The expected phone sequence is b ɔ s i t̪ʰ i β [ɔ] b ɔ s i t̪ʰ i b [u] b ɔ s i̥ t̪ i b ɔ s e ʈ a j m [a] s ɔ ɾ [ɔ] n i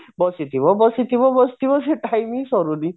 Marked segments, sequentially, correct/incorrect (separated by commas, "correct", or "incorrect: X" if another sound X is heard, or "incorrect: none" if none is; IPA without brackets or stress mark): correct, incorrect: ɔ, incorrect: i, incorrect: u